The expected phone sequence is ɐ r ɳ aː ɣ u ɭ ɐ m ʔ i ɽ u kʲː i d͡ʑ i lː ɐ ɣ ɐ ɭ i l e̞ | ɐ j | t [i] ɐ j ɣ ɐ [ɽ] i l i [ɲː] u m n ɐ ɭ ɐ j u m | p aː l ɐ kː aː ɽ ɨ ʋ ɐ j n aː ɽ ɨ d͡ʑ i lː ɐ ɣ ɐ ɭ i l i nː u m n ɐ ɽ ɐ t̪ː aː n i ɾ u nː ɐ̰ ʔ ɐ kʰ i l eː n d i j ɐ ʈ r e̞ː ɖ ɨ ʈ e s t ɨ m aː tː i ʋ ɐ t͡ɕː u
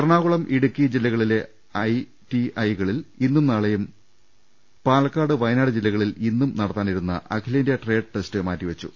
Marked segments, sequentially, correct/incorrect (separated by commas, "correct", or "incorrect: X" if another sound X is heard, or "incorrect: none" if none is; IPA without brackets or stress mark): correct, incorrect: ɭ, incorrect: nː